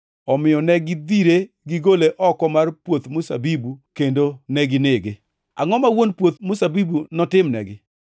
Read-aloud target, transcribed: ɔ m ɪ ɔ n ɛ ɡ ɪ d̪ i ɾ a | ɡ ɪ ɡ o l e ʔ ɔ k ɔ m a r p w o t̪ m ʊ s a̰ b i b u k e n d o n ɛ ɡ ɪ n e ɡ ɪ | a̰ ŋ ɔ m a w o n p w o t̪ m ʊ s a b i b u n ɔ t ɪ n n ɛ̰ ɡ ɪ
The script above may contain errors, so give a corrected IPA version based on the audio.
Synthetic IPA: ɔ m ɪ ɔ n ɛ ɡ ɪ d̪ i ɾ e | ɡ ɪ ɡ o l e ʔ ɔ k ɔ m a r p w o t̪ m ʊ s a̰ b i b u k e n d o n ɛ ɡ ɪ n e ɡ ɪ | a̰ ŋ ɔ m a w o n p w o t̪ m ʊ s a b i b u n ɔ t ɪ m n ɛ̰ ɡ ɪ